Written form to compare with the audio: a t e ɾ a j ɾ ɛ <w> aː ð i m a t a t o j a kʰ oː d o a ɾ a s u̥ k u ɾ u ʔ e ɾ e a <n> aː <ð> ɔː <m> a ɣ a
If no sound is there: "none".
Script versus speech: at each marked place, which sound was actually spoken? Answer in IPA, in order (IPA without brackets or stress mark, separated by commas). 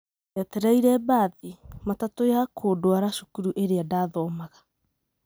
b, d, ð, m